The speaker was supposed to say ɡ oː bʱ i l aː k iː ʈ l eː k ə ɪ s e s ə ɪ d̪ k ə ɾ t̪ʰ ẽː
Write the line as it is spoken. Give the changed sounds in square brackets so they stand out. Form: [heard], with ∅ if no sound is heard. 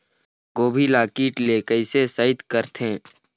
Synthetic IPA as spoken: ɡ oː bʱ i l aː k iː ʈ l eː k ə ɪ s e s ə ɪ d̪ k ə ɾ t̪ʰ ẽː